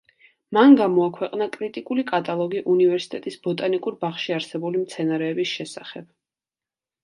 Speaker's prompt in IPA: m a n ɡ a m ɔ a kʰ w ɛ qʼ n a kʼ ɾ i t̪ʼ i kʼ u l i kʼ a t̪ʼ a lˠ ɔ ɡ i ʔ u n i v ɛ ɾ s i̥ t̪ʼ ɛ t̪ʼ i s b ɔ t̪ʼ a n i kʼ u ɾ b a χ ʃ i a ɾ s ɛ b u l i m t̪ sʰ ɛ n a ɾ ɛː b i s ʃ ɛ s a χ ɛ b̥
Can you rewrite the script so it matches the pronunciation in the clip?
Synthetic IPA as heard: m a n ɡ a m ɔ a kʰ w ɛ qʼ n a kʼ ɾ i t̪ʼ i kʼ u l i kʼ a t̪ʼ a lˠ ɔ ɡ i ʔ u n i v ɛ ɾ s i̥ t̪ʼ ɛ t̪ʼ i s b ɔ t̪ʼ a n i kʼ u ɾ b a χ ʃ i a ɾ s ɛ b u l i m t̪ sʰ ɛ n a ɾ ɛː b i s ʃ ɛ s a χ ɛ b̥